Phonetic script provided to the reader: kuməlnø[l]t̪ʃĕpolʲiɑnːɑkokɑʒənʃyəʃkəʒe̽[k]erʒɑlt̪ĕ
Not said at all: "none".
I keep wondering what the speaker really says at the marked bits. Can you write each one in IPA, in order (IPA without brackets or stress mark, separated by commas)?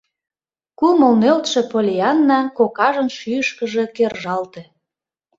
l, k